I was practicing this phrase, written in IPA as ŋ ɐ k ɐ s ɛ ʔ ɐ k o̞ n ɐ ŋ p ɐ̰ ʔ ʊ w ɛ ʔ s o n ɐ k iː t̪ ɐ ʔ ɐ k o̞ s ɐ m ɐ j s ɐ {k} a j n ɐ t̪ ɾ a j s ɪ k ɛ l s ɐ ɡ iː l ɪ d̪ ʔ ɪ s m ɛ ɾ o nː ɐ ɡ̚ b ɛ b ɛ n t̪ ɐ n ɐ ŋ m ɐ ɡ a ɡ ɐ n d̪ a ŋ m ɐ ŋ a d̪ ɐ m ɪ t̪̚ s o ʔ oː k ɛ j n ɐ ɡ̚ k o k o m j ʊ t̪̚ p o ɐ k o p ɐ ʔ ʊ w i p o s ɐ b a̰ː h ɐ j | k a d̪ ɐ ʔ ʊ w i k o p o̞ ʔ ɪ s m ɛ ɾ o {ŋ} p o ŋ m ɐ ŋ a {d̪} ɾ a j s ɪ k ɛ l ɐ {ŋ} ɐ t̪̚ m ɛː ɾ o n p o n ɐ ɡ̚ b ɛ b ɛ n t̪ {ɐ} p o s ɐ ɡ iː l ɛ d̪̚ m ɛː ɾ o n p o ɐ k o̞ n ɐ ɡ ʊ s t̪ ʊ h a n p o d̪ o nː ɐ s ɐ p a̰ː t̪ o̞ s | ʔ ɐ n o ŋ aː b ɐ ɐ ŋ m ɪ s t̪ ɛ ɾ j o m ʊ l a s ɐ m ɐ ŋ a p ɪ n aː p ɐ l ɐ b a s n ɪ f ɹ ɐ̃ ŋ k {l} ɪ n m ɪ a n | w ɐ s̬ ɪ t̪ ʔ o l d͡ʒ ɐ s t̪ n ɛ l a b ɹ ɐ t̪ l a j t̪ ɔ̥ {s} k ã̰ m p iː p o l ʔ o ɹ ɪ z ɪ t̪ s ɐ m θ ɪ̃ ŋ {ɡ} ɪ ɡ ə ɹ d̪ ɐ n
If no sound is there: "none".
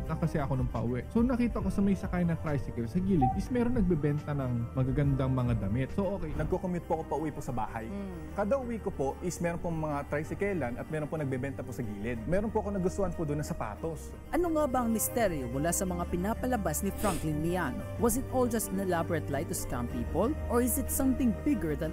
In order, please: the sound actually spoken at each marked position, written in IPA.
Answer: k, n, t̪, n, ɐ, l, s, b

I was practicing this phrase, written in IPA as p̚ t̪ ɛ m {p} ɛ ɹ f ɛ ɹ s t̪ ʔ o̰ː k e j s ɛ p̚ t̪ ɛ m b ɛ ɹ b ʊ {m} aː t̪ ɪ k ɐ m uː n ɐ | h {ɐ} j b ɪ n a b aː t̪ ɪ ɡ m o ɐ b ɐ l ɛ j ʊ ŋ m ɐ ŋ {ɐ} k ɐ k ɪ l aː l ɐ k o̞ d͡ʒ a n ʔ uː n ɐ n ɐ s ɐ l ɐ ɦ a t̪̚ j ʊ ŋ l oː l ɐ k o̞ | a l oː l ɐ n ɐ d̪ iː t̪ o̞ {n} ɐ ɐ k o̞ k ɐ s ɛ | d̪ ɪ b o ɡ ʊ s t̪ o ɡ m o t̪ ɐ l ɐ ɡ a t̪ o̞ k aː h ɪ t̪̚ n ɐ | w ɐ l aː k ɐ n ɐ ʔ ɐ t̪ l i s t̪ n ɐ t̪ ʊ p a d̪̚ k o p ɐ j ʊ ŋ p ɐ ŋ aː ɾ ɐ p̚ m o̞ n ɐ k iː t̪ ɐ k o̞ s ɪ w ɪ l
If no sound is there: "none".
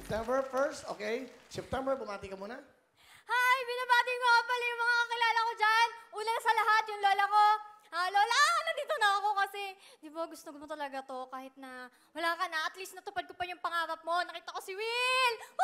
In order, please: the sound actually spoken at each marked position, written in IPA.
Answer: b, m, a, a, n

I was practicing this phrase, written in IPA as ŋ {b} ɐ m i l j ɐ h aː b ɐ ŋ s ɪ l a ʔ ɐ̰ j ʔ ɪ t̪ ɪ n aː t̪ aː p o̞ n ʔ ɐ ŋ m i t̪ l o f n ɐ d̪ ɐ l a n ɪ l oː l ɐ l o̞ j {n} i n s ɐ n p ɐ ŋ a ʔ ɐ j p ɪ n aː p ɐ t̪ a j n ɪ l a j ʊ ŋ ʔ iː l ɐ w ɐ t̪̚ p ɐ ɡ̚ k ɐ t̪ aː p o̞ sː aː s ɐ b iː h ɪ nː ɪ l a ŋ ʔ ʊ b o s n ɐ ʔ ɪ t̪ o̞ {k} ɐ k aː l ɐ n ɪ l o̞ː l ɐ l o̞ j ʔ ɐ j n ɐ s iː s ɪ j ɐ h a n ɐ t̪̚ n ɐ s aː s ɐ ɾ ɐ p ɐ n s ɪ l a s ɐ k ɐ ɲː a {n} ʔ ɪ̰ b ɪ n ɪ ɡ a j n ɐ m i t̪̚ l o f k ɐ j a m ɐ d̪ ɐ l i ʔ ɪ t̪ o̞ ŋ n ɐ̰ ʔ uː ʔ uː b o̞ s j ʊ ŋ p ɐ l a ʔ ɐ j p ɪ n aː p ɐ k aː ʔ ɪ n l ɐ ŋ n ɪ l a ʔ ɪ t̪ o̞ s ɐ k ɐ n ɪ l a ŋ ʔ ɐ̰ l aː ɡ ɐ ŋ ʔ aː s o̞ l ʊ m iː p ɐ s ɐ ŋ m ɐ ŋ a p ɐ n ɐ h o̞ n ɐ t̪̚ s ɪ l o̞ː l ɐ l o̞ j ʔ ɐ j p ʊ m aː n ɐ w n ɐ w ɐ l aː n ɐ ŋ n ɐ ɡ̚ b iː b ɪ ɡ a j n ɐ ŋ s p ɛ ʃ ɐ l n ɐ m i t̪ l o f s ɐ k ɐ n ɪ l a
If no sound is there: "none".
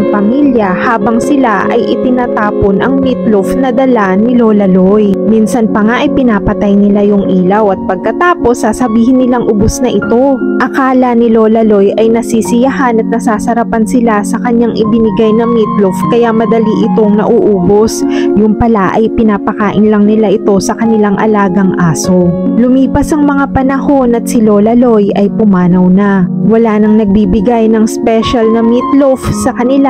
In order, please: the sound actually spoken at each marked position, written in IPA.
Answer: p, m, ʔ, ŋ

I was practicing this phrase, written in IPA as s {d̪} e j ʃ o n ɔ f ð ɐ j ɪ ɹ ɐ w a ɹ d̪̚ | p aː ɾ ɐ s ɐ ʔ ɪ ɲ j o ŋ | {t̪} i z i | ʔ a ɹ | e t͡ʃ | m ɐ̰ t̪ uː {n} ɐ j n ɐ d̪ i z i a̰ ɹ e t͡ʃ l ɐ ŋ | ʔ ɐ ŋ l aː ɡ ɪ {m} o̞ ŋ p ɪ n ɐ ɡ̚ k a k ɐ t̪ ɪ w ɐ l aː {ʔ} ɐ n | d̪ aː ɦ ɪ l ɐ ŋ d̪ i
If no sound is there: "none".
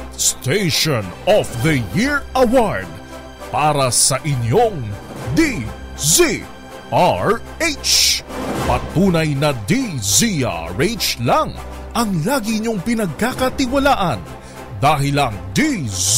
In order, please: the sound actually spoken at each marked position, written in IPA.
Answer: t̪, d̪, n, ɲ, ʔ

